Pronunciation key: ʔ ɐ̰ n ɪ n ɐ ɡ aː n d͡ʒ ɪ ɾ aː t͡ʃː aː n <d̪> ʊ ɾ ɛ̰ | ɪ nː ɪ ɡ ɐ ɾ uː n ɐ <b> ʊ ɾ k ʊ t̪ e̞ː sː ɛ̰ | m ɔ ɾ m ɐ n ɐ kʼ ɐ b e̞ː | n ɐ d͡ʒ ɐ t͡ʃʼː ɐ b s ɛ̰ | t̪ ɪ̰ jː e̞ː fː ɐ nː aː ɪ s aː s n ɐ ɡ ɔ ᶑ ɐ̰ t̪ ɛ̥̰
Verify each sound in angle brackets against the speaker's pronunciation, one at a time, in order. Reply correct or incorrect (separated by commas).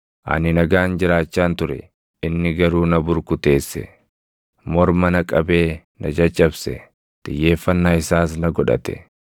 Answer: incorrect, correct